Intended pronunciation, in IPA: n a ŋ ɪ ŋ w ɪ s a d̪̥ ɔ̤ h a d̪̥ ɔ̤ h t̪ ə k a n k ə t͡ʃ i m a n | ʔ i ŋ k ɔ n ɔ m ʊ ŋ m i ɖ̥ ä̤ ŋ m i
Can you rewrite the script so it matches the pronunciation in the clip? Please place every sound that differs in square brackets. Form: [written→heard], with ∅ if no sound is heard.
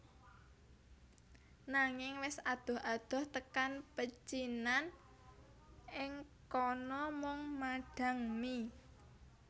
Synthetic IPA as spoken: n a ŋ ɪ ŋ w ɪ s a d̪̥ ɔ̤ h a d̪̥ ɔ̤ h t̪ ə k a n [k→p] ə t͡ʃ i [m→n] a n | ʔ [i→ɪ] ŋ k ɔ n ɔ m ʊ ŋ m [i→a] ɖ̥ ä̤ ŋ m i

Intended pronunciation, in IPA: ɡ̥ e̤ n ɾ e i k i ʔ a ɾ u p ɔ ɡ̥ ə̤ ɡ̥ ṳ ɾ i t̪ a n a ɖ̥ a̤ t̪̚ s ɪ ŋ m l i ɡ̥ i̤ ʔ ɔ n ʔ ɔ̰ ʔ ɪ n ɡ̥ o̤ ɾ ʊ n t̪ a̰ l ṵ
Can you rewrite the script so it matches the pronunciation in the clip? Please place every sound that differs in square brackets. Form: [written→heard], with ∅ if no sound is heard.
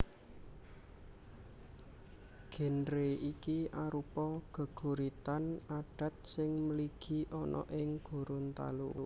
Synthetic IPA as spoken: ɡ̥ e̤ n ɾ e i k i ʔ a ɾ u p ɔ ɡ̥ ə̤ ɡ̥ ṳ ɾ i t̪ a n a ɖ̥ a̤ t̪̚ s ɪ ŋ m l i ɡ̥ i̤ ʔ ɔ n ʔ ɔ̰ ʔ ɪ [n→ŋ] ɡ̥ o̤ ɾ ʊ n t̪ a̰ l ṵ

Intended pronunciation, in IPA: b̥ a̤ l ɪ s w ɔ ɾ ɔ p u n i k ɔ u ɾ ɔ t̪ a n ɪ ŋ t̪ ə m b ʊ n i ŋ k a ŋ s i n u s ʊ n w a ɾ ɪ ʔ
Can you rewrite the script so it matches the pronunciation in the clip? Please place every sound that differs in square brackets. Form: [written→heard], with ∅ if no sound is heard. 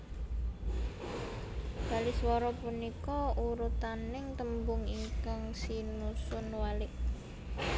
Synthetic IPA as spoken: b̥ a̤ l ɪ s w ɔ ɾ ɔ p u n i k ɔ u ɾ [ɔ→u] t̪ a n ɪ ŋ t̪ ə m b ʊ [n→ŋ] i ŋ k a ŋ s i n u s ʊ n w a [ɾ→l] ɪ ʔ

